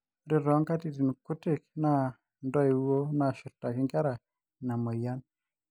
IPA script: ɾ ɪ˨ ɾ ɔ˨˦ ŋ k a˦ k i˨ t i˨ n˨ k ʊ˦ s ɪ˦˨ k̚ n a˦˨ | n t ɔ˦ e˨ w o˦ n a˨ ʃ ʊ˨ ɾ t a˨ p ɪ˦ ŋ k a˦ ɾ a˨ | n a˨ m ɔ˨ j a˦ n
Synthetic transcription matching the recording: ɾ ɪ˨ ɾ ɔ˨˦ ŋ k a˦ t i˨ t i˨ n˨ k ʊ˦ t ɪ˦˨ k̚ n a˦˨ | n d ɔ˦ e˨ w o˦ n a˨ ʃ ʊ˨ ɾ t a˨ k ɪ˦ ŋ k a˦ ɾ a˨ | n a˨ m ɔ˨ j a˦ n